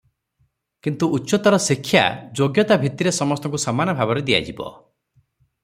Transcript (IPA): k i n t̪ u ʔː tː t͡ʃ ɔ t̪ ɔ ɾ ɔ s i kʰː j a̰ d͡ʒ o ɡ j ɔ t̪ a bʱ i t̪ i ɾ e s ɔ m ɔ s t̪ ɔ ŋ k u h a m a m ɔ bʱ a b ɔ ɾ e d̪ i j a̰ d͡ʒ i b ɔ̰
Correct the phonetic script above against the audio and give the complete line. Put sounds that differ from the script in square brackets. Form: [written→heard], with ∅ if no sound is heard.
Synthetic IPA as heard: k i n t̪ u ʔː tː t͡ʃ ɔ t̪ ɔ ɾ ɔ s i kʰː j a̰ d͡ʒ o ɡ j ɔ t̪ a bʱ i t̪ i ɾ e s ɔ m ɔ s t̪ ɔ ŋ k u [h→s] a m a [m→n] ɔ bʱ a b ɔ ɾ e d̪ i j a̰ d͡ʒ i b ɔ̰